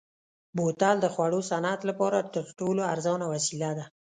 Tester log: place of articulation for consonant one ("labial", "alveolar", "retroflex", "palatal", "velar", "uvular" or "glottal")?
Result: labial